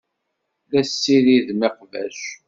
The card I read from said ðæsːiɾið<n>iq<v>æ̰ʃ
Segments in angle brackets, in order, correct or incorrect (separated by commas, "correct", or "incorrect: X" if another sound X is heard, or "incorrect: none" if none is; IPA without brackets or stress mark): incorrect: m, correct